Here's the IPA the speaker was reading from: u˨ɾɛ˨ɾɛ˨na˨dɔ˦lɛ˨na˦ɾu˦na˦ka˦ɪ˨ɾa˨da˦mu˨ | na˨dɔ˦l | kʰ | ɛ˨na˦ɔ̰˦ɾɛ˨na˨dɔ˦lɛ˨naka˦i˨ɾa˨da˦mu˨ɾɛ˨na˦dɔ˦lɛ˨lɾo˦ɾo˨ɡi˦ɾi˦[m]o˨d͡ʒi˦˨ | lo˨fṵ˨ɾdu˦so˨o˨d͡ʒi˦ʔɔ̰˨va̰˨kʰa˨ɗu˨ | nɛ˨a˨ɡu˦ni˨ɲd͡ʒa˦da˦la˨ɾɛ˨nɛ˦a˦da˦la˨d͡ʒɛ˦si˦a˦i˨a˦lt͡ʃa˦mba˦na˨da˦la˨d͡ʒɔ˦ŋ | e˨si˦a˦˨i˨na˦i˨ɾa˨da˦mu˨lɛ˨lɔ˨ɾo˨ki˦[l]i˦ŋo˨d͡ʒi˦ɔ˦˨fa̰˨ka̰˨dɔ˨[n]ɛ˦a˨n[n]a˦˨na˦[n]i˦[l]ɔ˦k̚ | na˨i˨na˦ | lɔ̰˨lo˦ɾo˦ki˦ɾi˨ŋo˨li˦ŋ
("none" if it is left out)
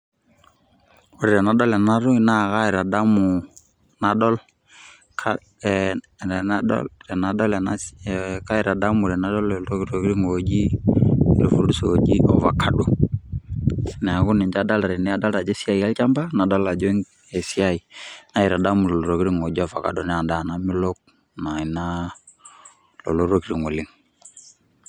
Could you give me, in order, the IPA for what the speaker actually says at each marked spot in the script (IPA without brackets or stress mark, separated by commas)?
ŋ, ɾ, n, d, m, l